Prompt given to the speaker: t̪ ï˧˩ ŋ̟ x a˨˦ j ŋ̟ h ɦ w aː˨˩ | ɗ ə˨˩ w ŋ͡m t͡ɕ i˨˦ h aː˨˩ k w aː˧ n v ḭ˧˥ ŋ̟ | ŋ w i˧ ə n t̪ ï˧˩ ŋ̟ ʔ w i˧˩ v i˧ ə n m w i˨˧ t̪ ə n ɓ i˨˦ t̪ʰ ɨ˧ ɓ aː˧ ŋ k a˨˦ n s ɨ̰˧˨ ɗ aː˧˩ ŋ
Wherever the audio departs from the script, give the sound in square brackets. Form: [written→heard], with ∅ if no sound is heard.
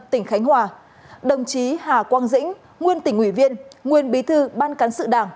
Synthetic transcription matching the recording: t̪ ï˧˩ ŋ̟ x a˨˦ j ŋ̟ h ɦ w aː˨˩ | ɗ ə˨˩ w ŋ͡m t͡ɕ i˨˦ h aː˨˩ k w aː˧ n [v→z] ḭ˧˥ ŋ̟ | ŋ w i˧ ə n t̪ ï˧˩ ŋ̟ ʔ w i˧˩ v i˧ ə n [m→ŋ] w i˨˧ [t̪→∅] ə n ɓ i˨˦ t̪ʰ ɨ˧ ɓ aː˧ [ŋ→n] k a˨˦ n s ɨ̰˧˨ ɗ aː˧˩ ŋ